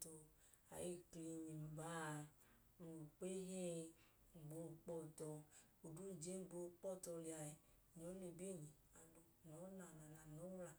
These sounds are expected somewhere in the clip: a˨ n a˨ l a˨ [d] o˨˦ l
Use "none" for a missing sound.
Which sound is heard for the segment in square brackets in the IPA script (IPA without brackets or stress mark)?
n